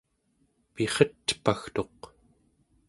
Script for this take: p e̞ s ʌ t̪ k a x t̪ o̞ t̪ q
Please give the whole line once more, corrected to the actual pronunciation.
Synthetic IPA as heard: p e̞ χ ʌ t̪ p a x t̪ o̞ q